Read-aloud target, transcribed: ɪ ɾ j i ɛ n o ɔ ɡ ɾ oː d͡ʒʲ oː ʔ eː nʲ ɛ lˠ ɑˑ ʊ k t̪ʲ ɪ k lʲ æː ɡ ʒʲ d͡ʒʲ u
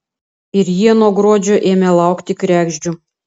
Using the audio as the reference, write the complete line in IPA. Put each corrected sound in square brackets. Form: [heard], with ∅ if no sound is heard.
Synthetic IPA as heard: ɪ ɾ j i ɛ n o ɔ ɡ ɾ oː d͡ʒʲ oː ʔ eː [mʲ] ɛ lˠ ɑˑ ʊ k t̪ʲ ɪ k [ɾʲ] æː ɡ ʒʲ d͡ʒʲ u